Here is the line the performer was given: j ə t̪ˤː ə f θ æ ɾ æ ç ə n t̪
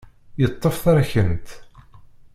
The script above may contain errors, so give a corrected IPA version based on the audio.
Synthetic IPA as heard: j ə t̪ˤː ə f θ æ ɾ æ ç ə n t̪

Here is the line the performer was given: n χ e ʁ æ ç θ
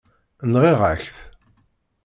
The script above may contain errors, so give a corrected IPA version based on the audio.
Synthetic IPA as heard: n ʁ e ʁ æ ç θ

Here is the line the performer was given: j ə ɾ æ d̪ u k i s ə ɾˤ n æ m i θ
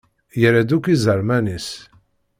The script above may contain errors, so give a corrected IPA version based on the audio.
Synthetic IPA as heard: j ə ɾ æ d̪ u k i z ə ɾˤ m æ n i s

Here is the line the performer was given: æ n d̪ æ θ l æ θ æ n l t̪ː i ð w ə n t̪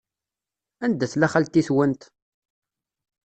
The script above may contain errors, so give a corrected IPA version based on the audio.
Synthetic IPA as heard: æ n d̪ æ θ l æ χ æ l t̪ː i θ w ə n t̪

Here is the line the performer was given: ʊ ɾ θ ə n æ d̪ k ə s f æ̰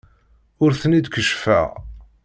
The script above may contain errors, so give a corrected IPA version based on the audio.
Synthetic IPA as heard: ʊ ɾ θ ə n i d̪ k ə ʃ f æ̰

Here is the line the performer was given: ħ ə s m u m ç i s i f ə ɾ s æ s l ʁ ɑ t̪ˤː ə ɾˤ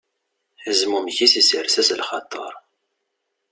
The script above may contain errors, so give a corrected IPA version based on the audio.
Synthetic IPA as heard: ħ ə z m u m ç i s i s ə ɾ s æ s l χ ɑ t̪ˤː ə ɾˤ

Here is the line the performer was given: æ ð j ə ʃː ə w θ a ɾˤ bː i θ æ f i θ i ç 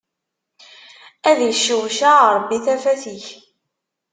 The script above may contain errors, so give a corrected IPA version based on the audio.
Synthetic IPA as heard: æ ð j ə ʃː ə w ʃ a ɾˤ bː i θ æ f æ θ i ç

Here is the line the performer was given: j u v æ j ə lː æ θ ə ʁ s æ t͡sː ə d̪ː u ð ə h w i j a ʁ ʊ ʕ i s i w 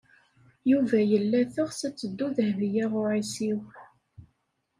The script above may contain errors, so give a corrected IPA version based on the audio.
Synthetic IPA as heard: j u v æ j ə lː æ θ ə ʁ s æ t͡sː ə d̪ː u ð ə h v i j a ʁ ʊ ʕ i s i w

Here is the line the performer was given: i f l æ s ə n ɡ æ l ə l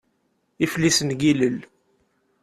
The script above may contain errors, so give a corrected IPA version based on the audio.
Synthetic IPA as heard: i f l i s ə n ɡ i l ə l

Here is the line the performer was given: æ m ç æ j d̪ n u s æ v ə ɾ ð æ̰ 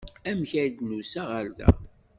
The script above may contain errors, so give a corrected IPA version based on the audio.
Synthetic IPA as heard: æ m ç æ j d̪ n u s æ ʁ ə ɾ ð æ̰

